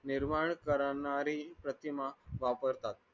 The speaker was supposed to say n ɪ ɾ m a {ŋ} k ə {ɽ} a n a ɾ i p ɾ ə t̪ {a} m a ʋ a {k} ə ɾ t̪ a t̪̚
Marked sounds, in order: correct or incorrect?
incorrect: ɳ, incorrect: ɾ, incorrect: i, incorrect: p

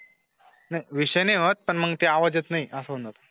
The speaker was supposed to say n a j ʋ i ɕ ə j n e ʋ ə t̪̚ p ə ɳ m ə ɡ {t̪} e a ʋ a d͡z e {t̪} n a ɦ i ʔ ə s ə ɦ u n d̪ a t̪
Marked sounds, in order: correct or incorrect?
correct, correct

